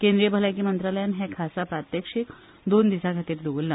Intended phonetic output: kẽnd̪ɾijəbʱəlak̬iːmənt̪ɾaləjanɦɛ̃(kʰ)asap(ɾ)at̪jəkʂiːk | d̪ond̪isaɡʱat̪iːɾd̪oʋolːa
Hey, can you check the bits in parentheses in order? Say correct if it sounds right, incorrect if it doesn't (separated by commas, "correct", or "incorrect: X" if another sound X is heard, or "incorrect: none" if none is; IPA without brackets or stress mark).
correct, correct